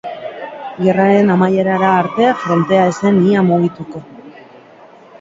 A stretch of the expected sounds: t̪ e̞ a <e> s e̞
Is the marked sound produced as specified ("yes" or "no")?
yes